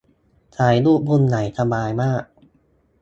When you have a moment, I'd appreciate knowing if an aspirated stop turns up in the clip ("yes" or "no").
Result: yes